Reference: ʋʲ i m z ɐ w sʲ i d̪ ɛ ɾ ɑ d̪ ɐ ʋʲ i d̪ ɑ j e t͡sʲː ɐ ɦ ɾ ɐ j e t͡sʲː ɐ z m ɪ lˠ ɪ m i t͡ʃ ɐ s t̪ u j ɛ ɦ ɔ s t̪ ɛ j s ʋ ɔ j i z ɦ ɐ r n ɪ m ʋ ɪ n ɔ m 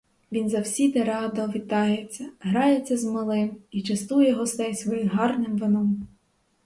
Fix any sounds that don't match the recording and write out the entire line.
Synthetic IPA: ʋʲ i n z ɐ w sʲ i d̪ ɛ ɾ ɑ d̪ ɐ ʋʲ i t̪ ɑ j e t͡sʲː ɐ ɦ ɾ ɑ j e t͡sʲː ɐ z m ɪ lˠ ɪ m i t͡ʃ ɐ s t̪ u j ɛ ɦ ɔ s t̪ ɛ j s ʋ ɔ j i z ɦ ɑ r n ɪ m ʋ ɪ n ɔ m